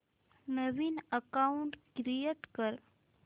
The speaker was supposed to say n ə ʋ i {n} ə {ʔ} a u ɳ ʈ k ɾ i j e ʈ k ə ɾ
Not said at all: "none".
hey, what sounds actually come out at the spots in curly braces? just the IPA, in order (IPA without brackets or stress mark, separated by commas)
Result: n, k